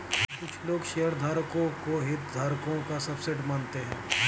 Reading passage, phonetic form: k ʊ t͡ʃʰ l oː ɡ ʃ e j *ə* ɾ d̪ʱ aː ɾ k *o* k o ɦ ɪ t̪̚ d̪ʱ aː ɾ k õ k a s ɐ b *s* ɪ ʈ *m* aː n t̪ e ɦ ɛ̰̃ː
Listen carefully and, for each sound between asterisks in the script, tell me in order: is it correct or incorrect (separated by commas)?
correct, incorrect, correct, correct